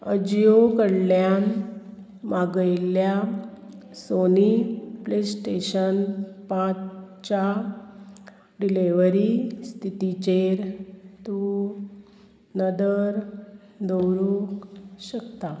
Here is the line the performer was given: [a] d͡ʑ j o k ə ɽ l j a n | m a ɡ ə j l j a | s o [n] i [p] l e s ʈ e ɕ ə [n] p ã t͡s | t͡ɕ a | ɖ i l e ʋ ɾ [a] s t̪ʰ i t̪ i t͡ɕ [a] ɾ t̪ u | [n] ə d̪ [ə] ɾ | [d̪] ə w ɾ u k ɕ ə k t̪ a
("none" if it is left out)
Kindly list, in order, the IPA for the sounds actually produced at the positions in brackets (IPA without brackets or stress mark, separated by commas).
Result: ə, n, p, n, i, e, n, ə, d̪